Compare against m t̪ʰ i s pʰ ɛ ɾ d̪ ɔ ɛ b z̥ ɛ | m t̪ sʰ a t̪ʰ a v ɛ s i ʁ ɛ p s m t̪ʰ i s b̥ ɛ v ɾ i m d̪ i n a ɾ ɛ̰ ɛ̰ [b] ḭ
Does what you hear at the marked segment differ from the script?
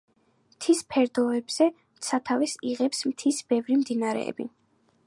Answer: no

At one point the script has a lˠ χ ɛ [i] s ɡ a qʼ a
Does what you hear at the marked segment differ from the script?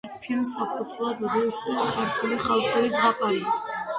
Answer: no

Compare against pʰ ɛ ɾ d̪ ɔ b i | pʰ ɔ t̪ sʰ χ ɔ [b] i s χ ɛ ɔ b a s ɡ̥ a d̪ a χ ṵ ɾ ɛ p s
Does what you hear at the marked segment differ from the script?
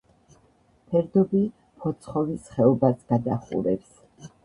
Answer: yes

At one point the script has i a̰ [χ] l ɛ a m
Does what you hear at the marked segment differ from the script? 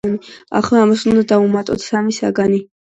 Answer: no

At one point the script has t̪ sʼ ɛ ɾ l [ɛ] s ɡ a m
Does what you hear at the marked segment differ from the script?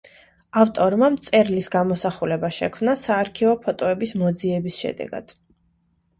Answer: yes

